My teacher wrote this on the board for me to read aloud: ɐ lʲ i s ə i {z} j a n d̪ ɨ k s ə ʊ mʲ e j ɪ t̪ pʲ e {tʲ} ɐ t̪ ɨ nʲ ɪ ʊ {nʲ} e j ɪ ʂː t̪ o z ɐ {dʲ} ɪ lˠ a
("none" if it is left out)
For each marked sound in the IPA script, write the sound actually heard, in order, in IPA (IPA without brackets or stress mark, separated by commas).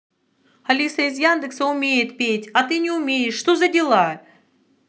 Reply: z, tʲ, mʲ, dʲ